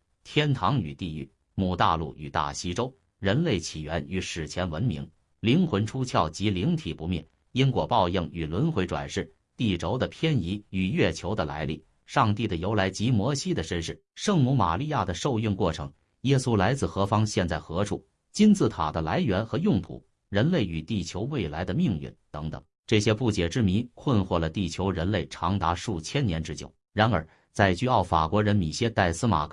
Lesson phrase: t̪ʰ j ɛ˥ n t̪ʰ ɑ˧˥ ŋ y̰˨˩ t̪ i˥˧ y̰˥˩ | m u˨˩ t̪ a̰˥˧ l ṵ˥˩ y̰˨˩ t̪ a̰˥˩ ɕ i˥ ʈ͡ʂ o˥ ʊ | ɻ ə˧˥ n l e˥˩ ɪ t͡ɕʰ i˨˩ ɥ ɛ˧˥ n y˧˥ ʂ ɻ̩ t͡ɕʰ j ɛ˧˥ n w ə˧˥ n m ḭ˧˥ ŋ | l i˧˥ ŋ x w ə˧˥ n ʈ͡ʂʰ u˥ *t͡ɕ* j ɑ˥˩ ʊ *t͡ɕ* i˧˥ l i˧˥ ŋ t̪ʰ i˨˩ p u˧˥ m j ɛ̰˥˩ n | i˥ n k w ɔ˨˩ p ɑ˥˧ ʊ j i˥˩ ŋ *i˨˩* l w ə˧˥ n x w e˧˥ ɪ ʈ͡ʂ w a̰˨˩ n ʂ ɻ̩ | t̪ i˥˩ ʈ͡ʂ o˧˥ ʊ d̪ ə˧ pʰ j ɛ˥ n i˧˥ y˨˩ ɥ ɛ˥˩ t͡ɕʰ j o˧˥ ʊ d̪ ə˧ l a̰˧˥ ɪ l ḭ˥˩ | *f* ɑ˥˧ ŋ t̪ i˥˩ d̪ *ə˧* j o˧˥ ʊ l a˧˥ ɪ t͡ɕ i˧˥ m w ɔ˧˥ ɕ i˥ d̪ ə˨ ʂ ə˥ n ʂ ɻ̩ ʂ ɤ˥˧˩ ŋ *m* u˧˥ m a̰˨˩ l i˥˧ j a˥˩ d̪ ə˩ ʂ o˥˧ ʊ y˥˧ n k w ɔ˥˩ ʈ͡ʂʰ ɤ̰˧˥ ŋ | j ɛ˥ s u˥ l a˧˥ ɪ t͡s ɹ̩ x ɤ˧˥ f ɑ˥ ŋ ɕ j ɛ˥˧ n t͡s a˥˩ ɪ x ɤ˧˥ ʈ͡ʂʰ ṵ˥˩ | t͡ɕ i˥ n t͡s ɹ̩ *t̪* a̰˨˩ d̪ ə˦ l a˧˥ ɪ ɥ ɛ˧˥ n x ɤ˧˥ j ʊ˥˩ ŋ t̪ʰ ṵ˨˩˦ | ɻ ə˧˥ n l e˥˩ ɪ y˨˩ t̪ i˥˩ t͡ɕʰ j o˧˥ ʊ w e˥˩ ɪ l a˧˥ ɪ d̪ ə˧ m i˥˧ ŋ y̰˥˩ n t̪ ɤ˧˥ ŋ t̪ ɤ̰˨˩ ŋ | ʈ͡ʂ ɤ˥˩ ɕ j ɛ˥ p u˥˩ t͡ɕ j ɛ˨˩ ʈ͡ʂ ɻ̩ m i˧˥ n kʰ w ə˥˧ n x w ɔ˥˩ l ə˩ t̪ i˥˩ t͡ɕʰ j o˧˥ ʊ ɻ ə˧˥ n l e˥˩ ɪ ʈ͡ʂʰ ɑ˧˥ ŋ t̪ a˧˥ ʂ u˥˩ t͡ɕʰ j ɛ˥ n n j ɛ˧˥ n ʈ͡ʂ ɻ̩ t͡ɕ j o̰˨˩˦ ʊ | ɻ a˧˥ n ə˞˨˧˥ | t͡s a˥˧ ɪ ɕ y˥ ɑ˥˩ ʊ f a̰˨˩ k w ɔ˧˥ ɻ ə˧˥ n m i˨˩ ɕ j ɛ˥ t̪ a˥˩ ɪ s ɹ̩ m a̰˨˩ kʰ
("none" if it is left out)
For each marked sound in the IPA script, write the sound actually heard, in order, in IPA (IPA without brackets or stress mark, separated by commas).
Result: t͡ɕʰ, t͡ɕ, y˨˩, ʂ, ə˩, m, t̪ʰ